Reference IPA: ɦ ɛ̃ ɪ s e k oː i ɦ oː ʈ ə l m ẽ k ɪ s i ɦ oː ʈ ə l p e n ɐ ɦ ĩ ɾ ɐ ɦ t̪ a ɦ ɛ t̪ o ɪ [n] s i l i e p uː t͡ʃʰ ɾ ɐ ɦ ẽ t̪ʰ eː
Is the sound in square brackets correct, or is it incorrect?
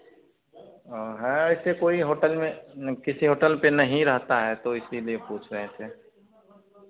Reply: incorrect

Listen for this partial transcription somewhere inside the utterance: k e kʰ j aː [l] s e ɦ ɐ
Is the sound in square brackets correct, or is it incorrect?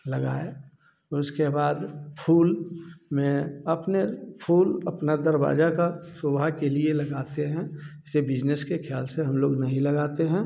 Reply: correct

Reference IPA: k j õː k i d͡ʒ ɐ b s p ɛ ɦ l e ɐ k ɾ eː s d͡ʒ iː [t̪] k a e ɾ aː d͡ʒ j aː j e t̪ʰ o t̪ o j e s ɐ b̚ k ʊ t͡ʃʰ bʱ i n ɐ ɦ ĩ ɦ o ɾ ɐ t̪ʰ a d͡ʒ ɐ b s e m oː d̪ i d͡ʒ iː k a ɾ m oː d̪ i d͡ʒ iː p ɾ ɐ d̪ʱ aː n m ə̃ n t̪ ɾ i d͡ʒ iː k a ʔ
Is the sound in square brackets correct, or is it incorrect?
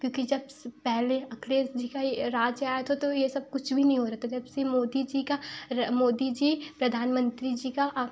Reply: incorrect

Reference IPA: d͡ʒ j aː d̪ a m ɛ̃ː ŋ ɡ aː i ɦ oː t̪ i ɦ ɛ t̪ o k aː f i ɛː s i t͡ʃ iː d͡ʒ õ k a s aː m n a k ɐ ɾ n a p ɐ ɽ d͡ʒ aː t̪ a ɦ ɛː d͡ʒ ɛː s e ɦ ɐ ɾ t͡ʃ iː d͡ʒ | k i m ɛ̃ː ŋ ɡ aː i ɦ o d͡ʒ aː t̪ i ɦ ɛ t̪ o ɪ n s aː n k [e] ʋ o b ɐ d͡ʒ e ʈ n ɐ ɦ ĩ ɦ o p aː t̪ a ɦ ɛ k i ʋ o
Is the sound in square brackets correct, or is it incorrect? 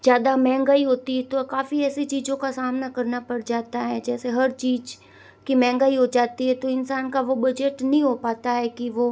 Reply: incorrect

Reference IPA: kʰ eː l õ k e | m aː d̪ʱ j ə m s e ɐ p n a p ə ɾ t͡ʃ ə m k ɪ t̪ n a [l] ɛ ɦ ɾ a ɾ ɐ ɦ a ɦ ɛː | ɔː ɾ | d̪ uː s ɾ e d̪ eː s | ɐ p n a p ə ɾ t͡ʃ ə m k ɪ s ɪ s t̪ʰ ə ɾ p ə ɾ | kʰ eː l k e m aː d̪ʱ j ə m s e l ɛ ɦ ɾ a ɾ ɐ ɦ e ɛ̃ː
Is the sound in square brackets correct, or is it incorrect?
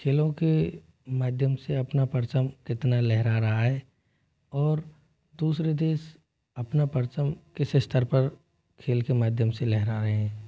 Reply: correct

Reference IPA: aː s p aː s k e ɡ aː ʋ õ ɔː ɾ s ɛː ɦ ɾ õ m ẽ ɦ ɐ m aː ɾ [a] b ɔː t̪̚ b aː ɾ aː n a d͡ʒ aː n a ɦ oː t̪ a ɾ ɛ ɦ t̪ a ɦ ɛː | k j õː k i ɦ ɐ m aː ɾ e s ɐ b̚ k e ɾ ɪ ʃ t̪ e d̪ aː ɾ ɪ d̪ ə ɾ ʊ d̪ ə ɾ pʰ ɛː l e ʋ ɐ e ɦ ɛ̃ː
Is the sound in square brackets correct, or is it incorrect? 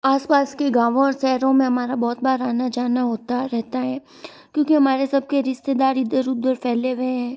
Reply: correct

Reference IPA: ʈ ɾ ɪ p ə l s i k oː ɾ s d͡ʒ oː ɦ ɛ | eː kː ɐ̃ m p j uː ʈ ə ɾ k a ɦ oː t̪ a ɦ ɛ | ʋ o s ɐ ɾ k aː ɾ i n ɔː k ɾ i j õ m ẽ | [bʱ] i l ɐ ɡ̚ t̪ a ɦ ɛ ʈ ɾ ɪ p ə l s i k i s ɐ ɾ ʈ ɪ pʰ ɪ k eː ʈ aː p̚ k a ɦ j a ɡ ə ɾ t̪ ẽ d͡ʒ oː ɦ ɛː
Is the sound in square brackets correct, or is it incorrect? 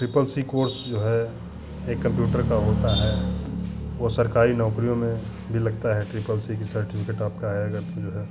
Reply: correct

